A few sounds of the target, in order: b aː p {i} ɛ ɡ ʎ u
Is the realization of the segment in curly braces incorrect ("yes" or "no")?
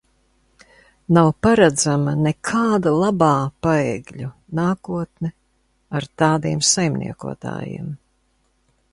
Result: yes